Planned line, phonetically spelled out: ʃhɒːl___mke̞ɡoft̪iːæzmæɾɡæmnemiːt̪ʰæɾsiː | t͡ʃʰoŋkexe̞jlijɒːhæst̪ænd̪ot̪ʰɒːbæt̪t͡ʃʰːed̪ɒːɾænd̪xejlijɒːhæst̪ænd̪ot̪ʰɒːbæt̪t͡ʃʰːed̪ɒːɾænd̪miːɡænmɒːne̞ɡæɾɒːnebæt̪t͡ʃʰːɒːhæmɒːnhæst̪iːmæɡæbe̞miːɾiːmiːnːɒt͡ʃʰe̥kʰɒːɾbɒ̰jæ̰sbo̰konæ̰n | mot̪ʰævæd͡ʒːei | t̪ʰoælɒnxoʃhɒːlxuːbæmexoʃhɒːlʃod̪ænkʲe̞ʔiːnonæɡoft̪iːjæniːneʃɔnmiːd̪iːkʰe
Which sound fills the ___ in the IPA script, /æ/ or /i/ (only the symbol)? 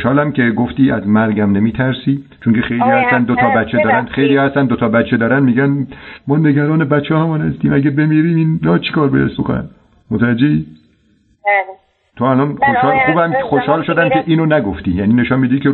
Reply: æ